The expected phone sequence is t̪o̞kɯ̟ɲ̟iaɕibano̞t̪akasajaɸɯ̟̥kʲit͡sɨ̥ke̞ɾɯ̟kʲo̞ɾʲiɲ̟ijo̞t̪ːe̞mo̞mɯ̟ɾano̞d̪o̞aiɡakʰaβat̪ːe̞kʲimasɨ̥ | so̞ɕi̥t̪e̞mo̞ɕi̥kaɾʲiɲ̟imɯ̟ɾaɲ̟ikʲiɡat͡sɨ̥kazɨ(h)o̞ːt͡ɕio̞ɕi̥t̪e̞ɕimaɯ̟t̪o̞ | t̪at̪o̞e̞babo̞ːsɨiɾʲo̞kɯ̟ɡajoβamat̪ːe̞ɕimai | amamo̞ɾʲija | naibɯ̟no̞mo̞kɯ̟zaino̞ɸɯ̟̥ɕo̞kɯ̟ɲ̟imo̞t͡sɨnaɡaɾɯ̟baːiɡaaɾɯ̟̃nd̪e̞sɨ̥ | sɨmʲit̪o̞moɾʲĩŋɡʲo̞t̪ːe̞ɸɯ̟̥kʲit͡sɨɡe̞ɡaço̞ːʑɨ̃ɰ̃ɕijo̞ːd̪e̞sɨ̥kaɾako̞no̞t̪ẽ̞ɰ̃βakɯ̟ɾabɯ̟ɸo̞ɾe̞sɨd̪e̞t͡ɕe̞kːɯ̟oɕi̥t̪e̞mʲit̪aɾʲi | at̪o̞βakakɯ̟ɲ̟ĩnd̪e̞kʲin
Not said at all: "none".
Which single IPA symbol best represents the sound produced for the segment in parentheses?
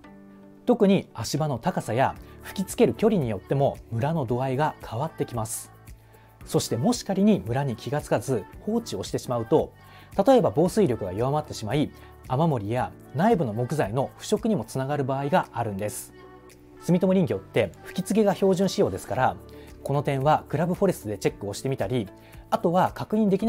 h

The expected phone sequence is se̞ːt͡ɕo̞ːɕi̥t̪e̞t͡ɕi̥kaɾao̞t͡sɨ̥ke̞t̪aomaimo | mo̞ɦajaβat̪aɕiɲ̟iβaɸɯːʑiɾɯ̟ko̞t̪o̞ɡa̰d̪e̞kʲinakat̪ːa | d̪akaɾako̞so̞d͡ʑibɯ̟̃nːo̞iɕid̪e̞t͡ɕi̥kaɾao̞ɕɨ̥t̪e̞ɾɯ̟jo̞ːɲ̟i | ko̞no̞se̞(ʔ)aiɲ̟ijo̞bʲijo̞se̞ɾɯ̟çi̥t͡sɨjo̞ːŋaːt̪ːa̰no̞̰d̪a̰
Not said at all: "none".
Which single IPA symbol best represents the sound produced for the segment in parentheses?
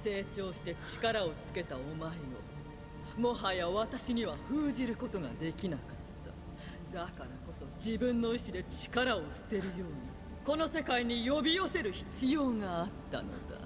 k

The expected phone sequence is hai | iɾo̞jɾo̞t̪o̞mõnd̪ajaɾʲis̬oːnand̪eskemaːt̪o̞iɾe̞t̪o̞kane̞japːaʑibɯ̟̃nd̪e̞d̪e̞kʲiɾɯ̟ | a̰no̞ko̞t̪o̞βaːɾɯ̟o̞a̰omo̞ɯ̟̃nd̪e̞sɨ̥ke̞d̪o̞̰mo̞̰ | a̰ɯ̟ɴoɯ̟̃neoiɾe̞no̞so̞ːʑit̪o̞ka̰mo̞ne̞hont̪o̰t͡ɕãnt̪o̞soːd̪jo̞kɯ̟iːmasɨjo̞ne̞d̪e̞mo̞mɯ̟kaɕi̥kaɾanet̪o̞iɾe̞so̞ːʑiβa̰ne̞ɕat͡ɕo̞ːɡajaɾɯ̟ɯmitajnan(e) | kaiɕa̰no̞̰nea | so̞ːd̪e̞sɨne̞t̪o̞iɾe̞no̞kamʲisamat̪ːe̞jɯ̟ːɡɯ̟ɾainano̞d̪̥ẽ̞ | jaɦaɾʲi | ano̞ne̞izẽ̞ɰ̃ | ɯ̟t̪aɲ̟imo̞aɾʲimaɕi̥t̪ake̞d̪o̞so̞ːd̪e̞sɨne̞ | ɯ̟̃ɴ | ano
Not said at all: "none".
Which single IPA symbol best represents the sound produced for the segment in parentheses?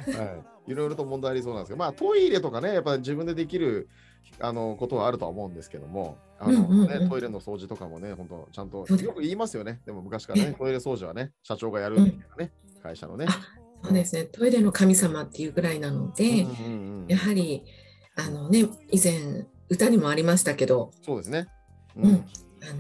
e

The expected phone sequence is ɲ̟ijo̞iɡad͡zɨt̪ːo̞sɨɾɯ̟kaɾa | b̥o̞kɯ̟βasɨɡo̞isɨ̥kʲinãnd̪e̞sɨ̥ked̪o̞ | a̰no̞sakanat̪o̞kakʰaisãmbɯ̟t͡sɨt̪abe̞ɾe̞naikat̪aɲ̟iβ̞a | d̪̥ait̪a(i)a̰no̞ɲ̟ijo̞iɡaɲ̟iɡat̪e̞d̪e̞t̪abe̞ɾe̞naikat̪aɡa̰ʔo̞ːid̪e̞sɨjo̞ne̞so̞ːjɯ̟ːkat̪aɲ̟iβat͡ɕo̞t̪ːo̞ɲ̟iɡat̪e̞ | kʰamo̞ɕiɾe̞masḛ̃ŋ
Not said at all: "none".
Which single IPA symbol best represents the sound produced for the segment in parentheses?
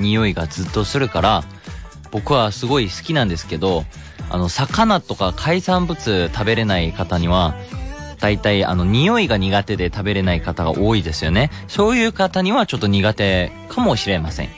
i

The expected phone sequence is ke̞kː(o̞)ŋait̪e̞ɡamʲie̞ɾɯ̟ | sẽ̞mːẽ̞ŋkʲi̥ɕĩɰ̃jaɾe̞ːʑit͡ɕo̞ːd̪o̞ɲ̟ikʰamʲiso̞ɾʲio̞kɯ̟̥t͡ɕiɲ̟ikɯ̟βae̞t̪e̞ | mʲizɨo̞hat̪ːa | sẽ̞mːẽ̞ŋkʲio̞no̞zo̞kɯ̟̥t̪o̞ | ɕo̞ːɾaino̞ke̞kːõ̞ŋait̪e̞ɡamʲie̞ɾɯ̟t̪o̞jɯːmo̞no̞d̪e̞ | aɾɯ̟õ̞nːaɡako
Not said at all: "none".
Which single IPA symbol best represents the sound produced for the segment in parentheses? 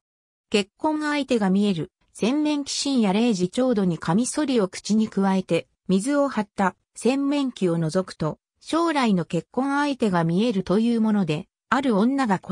õ̞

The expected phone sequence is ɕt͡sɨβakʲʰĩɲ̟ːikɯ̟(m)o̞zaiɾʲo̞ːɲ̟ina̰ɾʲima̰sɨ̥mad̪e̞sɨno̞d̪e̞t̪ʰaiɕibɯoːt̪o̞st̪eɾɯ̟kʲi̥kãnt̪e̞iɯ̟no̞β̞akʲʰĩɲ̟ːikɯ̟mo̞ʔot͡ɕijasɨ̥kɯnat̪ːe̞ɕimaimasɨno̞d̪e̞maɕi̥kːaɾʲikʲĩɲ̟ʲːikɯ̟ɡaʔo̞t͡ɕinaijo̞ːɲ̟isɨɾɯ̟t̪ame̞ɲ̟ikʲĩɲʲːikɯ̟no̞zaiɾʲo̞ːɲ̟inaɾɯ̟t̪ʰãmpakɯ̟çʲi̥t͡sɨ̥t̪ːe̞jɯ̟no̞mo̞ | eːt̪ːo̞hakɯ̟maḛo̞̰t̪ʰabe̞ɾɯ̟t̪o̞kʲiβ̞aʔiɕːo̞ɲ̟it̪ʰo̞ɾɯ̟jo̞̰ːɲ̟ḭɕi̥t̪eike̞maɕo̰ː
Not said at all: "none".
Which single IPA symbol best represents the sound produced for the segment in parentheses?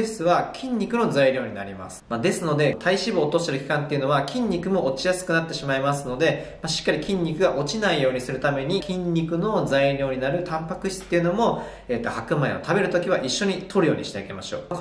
n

